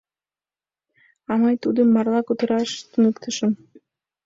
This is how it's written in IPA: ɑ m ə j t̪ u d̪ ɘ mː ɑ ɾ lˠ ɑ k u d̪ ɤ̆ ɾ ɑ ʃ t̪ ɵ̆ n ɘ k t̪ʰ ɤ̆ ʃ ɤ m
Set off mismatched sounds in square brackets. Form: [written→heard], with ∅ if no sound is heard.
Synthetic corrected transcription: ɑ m [ə→ɑ] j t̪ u d̪ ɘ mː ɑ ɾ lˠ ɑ k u [d̪→t̪] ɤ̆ ɾ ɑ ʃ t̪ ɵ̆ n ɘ k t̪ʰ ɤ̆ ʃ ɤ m